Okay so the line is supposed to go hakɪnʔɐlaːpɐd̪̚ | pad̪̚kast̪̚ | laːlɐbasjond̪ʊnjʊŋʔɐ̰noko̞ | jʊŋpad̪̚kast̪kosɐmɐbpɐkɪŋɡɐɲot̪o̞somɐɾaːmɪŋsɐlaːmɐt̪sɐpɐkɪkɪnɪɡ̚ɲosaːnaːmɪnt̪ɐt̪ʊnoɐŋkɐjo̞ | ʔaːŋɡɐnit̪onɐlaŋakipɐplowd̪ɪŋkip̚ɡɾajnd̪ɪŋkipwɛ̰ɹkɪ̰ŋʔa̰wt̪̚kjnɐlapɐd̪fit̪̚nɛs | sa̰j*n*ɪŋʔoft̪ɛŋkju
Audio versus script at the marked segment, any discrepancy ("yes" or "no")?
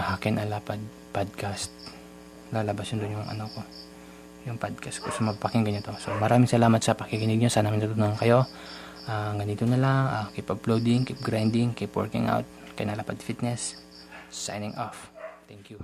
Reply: no